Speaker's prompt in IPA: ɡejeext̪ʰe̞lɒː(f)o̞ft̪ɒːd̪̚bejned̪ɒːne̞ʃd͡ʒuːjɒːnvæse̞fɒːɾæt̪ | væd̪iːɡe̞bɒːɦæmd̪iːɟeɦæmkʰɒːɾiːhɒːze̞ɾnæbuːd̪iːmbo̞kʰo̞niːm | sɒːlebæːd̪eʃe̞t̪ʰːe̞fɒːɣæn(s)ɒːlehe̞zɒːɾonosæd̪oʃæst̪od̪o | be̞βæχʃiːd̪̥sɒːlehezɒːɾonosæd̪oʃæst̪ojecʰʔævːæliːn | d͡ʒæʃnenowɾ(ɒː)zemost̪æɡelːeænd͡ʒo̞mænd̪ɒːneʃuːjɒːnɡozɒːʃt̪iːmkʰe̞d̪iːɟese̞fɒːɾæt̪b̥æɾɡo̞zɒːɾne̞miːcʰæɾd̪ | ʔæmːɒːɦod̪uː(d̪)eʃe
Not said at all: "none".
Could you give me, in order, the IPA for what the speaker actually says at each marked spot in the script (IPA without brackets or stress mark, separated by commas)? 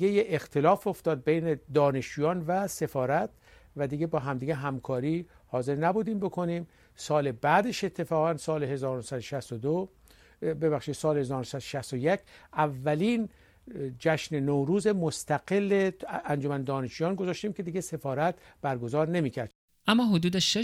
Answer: f, s, uː, d̪